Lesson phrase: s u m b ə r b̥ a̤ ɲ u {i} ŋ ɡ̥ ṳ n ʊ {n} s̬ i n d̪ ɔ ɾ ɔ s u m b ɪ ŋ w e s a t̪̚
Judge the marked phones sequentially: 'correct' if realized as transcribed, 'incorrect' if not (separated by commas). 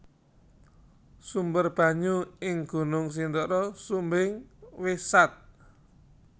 incorrect, incorrect